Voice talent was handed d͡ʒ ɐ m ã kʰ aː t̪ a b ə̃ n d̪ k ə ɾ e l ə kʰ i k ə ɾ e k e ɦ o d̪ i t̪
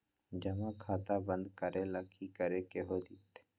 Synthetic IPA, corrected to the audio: d͡ʒ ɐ m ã kʰ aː t̪ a b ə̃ n d̪ k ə ɾ e l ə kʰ i k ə ɾ e k e ɦ o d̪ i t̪